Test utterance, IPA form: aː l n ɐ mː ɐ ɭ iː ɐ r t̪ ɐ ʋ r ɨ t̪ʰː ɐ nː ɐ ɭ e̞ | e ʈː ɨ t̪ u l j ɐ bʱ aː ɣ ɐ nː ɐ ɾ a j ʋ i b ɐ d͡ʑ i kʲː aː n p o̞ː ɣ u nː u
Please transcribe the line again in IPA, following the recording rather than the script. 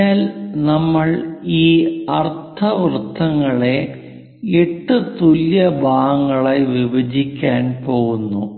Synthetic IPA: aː l n ɐ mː ɐ ɭ iː ɐ r t̪ʰ ɐ ʋ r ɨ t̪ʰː ɐ ŋː ɐ ɭ e̞ | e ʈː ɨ t̪ u l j ɐ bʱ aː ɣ ɐ ŋː ɐ ɭ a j ʋ i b ɐ d͡ʑ i kʲː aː n p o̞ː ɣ u nː u